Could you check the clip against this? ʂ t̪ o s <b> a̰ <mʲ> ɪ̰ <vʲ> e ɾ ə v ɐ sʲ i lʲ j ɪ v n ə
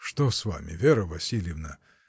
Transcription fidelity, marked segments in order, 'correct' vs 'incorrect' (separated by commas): incorrect, correct, correct